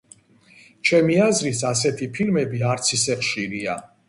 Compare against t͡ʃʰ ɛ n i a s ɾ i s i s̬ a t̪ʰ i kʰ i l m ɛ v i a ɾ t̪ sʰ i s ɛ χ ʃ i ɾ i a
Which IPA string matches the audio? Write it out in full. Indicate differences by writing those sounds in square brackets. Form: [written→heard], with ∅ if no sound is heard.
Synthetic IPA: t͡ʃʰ ɛ [n→m] i a [s→z] ɾ i s [i→a] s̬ [a→ɛ] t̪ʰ i [kʰ→pʰ] i l m ɛ [v→b] i a ɾ t̪ sʰ i s ɛ χ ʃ i ɾ i a

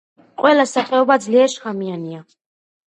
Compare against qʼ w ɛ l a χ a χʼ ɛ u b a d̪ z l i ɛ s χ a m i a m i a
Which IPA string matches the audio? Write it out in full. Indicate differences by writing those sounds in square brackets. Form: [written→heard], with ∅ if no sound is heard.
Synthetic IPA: qʼ w ɛ l a [χ→s] a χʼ ɛ [u→ɔ] b a d̪ z l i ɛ [s→ʃ] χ a m i a [m→n] i a

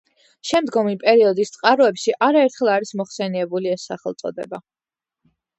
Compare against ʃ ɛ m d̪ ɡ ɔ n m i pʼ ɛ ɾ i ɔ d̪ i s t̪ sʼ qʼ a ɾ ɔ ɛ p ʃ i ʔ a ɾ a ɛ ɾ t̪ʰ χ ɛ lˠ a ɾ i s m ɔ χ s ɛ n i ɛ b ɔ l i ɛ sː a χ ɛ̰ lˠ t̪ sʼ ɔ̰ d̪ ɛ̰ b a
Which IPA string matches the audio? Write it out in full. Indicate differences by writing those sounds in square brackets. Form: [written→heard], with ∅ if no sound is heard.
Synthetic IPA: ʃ ɛ m d̪ ɡ ɔ [n→∅] m i pʼ ɛ ɾ i ɔ d̪ i s t̪ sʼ qʼ a ɾ ɔ ɛ p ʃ i ʔ a ɾ a ɛ ɾ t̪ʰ χ ɛ lˠ a ɾ i s m ɔ χ s ɛ n i ɛ b [ɔ→u] l i ɛ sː a χ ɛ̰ lˠ t̪ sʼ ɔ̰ d̪ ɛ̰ b a

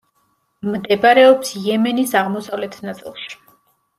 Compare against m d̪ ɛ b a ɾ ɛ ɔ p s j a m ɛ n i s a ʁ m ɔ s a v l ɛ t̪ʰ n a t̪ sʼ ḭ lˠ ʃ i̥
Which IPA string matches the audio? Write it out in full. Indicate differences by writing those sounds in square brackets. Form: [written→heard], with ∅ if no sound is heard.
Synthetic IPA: m d̪ ɛ b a ɾ ɛ ɔ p s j [a→ɛ] m ɛ n i s a ʁ m ɔ s a v l ɛ t̪ʰ n a t̪ sʼ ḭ lˠ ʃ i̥

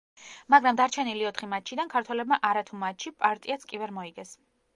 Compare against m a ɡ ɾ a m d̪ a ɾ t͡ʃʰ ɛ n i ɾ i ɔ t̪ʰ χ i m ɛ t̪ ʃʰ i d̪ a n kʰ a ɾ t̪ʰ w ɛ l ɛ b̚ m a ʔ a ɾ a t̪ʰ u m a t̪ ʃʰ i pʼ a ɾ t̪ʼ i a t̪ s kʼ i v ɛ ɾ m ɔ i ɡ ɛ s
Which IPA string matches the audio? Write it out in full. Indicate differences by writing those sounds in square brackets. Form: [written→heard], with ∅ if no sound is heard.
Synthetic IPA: m a ɡ ɾ a m d̪ a ɾ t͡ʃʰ ɛ n i [ɾ→l] i ɔ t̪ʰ χ i m [ɛ→a] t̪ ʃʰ i d̪ a n kʰ a ɾ t̪ʰ w ɛ l ɛ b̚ m a ʔ a ɾ a t̪ʰ u m a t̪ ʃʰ i pʼ a ɾ t̪ʼ i a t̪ s kʼ i v ɛ ɾ m ɔ i ɡ ɛ s

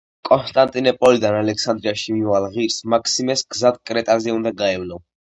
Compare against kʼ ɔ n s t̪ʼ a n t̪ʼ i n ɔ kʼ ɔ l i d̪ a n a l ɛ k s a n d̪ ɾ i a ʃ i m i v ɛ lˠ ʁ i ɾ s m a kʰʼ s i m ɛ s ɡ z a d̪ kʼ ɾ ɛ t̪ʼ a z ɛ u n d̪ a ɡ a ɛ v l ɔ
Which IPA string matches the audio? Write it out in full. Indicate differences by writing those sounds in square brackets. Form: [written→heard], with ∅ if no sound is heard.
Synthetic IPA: kʼ ɔ n s t̪ʼ a n t̪ʼ i n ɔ [kʼ→pʼ] ɔ l i d̪ a n a l ɛ k s a n d̪ ɾ i a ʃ i m i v [ɛ→a] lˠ ʁ i ɾ s m a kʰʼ s i m ɛ s ɡ z a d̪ kʼ ɾ ɛ t̪ʼ a z ɛ u n d̪ a ɡ a ɛ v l ɔ

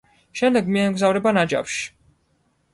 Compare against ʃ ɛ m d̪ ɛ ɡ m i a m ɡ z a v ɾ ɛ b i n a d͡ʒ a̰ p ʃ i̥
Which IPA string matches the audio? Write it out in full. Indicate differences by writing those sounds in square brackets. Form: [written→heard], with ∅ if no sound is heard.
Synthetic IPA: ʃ ɛ m d̪ ɛ ɡ m i [a→ɛ] m ɡ z a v ɾ ɛ b [i→a] n a d͡ʒ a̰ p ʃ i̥

